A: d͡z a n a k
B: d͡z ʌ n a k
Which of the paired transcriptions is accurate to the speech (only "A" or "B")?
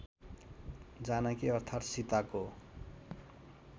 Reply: A